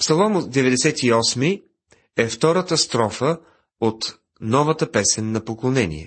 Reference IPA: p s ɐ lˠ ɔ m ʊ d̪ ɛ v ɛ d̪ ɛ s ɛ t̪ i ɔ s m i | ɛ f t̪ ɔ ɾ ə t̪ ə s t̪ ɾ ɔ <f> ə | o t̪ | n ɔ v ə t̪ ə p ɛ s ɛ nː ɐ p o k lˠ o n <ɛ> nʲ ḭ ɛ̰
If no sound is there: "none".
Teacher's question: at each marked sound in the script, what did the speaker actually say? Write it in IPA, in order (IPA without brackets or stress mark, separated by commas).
f, ɛ